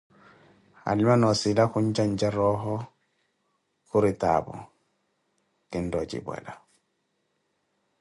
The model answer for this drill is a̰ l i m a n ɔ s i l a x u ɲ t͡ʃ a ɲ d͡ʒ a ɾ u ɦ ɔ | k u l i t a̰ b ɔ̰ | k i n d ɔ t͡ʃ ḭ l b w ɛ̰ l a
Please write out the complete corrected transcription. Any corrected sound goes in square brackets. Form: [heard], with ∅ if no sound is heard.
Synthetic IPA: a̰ l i m a n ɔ s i l a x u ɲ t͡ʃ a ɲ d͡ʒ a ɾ [ɔ] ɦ ɔ | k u [ɾ] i t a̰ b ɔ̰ | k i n d ɔ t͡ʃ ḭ [∅] b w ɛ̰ l a